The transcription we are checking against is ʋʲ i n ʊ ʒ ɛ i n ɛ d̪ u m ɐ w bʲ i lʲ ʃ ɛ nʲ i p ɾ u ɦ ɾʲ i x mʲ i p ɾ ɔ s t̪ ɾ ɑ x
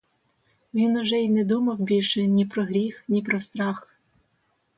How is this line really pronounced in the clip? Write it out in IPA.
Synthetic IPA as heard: ʋʲ i n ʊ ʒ ɛ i n ɛ d̪ u m ɐ w bʲ i lʲ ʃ ɛ nʲ i p ɾ ɔ ɦ ɾʲ i x nʲ i p ɾ ɔ s t̪ ɾ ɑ x